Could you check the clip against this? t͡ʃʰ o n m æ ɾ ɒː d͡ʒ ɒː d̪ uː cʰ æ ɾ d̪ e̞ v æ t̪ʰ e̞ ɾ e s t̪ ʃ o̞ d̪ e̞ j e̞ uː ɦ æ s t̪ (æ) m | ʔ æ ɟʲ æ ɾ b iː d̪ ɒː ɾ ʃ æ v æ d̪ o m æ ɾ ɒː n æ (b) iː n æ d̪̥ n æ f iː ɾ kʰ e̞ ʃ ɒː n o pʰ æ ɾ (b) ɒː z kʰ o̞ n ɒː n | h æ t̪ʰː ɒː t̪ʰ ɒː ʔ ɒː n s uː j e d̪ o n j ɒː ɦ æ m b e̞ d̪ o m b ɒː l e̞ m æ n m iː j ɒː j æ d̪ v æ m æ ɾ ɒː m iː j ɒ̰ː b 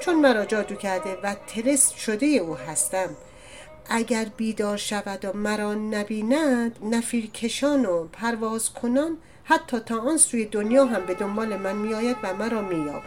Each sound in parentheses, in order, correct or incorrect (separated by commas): correct, correct, incorrect